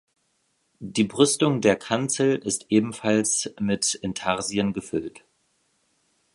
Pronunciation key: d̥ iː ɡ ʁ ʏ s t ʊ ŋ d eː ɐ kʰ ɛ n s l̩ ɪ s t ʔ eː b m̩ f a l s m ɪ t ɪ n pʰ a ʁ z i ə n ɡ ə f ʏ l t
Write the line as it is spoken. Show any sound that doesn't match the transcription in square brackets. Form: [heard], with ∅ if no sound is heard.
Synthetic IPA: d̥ iː [b] ʁ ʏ s t ʊ ŋ d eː ɐ kʰ [a] n [t͡s] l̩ ɪ s t ʔ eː b m̩ f a l s m ɪ t ɪ n [tʰ] a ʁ z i ə n ɡ ə f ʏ l t